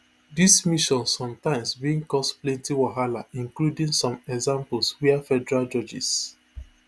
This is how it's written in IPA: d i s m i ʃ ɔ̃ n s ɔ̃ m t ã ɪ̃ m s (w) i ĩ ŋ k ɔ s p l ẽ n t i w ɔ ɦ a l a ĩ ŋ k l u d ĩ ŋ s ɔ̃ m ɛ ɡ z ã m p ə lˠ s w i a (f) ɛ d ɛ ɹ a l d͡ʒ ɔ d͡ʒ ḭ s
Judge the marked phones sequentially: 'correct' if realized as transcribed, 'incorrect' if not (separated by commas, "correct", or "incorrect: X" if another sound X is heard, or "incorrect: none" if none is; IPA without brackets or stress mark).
incorrect: b, correct